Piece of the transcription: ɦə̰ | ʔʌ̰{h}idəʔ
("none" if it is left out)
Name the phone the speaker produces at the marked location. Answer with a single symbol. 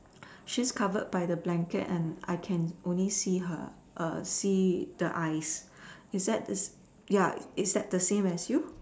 s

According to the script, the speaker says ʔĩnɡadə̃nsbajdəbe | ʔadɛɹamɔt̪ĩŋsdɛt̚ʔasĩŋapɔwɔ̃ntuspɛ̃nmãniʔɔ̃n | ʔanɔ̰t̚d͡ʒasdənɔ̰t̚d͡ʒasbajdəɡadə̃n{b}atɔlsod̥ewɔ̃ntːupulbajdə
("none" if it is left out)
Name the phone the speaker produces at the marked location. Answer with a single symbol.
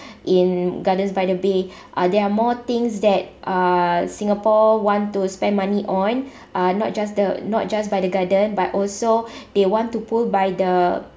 b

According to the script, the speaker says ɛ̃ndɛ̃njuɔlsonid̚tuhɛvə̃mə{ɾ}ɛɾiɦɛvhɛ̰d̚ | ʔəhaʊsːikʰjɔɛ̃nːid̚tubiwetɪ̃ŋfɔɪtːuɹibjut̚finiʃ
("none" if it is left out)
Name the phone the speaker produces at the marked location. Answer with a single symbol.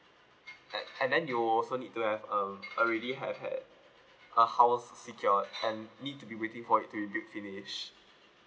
ɹ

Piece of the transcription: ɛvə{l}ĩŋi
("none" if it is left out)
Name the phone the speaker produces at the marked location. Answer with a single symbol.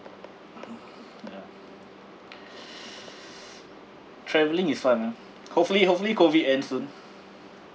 l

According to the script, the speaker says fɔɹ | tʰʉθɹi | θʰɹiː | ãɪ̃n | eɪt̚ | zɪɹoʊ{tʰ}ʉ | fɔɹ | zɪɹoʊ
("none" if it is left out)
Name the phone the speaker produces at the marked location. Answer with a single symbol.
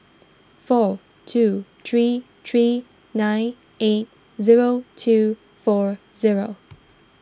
tʰ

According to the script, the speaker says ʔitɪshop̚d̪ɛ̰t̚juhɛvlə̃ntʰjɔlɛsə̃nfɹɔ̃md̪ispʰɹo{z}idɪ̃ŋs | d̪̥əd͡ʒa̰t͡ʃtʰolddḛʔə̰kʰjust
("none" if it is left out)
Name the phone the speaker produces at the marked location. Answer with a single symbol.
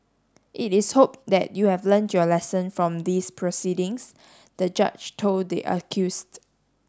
s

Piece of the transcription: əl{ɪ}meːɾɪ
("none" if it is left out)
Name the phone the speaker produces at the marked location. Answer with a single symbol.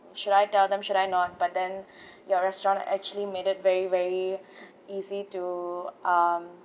i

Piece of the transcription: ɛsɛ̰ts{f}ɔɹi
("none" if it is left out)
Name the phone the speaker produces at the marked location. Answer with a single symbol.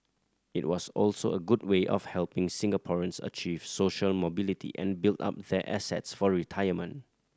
f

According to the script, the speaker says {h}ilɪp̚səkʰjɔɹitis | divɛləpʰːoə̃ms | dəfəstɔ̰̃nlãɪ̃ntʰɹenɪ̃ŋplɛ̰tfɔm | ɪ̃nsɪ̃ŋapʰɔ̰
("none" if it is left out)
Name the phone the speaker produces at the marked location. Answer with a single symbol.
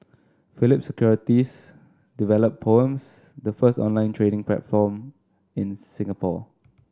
f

